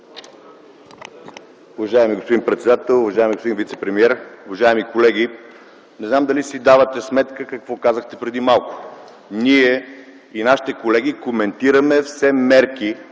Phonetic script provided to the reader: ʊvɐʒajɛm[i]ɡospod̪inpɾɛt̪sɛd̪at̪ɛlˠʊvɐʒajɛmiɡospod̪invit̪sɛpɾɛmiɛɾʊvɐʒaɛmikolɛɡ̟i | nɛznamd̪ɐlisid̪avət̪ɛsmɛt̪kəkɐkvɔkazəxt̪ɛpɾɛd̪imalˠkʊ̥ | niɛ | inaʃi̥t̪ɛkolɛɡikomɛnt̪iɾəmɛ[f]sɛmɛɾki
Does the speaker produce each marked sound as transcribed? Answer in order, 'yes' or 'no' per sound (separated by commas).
yes, yes